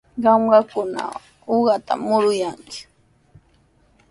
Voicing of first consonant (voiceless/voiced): voiced